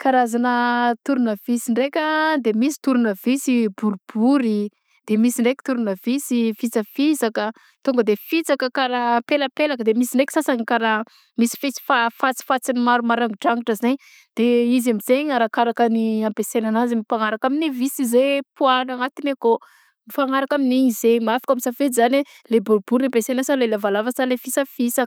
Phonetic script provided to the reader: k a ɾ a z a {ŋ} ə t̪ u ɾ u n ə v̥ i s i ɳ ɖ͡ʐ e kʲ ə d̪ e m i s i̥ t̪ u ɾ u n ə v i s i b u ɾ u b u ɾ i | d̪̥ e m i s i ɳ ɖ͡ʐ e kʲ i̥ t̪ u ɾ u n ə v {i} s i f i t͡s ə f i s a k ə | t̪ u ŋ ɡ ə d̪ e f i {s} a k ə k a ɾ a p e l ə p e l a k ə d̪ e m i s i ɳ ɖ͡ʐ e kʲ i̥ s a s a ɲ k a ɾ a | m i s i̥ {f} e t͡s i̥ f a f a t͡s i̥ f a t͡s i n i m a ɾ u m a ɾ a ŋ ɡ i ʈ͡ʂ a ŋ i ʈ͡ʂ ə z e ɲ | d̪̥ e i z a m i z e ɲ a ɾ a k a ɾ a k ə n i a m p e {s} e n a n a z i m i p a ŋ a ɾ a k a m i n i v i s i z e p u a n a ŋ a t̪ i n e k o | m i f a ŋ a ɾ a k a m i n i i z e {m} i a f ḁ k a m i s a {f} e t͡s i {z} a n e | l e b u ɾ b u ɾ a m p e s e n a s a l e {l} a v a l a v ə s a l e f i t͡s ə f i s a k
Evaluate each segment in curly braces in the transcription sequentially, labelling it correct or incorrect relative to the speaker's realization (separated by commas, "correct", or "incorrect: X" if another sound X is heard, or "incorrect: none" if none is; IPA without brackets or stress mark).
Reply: incorrect: n, correct, incorrect: t͡s, correct, correct, correct, correct, correct, correct